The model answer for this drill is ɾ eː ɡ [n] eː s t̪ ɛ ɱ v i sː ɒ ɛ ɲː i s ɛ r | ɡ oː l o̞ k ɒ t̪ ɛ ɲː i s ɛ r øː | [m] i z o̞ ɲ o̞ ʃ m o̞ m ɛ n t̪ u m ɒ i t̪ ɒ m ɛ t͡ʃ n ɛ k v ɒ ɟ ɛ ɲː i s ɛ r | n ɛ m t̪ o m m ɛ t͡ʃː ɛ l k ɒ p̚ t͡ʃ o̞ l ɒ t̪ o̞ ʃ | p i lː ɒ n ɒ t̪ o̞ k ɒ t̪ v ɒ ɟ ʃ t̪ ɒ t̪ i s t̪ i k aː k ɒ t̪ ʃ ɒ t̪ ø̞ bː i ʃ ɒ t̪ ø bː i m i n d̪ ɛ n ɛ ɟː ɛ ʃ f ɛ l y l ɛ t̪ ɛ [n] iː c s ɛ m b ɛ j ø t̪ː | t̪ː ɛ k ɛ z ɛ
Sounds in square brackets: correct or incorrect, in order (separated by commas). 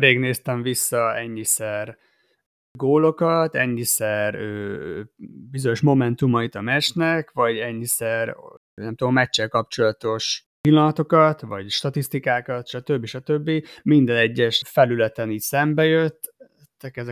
correct, incorrect, correct